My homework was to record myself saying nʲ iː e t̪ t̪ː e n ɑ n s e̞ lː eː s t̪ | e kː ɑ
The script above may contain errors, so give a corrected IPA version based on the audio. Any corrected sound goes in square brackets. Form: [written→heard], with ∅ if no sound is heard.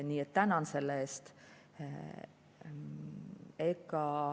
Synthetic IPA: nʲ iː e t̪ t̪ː [e→æ] n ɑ n s e̞ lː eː s t̪ | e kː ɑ